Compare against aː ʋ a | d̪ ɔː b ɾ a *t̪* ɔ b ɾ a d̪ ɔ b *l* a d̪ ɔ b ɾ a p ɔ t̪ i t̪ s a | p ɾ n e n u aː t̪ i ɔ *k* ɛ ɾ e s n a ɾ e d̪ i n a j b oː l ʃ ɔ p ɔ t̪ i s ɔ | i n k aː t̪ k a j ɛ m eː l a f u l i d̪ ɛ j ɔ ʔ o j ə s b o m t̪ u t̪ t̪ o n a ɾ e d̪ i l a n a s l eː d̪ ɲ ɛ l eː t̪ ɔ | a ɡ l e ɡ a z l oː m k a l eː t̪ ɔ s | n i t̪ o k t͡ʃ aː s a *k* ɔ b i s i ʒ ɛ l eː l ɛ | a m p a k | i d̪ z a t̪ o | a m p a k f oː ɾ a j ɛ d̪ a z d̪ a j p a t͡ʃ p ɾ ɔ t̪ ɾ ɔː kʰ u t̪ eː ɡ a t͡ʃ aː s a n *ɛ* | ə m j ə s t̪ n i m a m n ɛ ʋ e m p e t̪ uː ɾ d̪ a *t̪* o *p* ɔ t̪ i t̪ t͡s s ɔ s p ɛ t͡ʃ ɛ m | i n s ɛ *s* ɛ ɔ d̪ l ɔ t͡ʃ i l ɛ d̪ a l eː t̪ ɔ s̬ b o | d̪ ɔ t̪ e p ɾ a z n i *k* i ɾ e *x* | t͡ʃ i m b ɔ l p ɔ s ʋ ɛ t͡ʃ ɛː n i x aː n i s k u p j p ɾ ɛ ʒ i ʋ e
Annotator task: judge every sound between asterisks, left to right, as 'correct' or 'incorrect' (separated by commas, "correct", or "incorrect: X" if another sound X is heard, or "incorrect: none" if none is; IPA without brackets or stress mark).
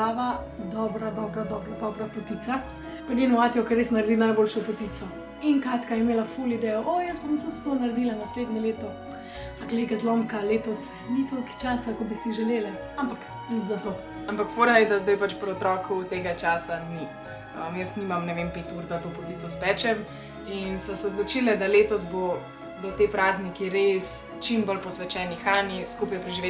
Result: incorrect: d̪, incorrect: ɾ, correct, correct, incorrect: i, correct, correct, correct, correct, incorrect: s